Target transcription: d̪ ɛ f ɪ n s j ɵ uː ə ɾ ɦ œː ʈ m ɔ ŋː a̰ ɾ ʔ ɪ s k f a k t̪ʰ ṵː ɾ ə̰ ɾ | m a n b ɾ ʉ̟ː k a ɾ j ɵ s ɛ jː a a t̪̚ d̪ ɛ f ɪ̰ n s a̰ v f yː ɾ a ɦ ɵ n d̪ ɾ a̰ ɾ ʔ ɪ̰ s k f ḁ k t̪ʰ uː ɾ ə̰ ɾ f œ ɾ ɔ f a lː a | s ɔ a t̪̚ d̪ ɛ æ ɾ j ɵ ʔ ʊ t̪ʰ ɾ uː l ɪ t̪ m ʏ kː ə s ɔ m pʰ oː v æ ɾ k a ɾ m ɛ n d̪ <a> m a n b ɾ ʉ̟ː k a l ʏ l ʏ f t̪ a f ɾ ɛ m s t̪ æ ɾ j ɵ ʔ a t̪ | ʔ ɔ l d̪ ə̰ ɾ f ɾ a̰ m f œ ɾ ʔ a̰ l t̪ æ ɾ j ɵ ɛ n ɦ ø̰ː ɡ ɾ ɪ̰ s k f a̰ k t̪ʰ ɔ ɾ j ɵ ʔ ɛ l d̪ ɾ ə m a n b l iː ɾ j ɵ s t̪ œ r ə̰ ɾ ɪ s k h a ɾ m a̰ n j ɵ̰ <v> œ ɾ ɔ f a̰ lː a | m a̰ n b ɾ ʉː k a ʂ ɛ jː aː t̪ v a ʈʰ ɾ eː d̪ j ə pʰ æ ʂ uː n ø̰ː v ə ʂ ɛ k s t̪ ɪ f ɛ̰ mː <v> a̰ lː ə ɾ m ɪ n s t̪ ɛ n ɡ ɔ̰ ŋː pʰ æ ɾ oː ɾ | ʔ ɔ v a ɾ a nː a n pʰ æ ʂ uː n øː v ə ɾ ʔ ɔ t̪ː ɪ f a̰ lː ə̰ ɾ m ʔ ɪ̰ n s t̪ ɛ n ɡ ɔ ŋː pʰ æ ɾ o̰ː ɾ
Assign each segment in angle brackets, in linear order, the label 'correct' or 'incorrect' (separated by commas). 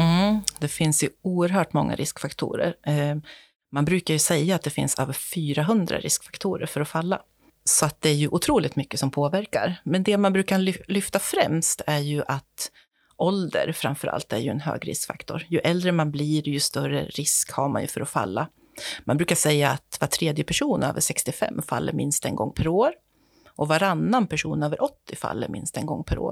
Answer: incorrect, incorrect, incorrect